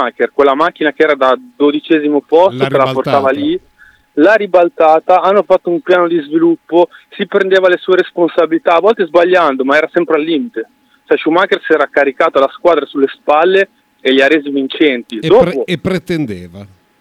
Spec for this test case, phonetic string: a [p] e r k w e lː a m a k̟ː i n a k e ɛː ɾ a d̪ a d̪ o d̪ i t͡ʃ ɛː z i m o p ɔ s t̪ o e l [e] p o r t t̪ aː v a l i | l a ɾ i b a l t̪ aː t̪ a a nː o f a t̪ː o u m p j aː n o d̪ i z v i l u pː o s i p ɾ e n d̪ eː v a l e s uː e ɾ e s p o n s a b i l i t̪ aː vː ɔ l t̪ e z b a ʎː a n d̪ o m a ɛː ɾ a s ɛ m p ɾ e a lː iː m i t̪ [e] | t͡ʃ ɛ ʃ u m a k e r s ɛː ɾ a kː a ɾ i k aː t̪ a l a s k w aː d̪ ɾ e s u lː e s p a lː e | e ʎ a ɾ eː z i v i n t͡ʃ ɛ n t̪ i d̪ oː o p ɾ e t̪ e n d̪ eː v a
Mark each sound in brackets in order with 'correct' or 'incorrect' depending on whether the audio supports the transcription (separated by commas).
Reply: incorrect, incorrect, correct